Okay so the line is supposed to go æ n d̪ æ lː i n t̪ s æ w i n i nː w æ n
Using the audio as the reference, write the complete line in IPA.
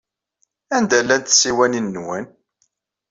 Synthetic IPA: æ n d̪ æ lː æ n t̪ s i w æ n i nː w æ n